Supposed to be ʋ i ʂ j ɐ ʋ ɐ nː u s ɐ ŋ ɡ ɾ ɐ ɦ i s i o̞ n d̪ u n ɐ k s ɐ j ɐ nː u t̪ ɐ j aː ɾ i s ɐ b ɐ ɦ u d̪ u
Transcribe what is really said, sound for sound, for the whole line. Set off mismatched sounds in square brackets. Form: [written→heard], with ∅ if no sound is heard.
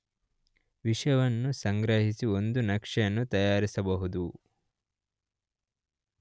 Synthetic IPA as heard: ʋ i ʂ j ɐ ʋ ɐ nː u s ɐ ŋ ɡ ɾ ɐ ɦ i s i o̞ n d̪ u n ɐ k [s→ʂ] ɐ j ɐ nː u t̪ ɐ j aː ɾ i s ɐ b ɐ ɦ u d̪ u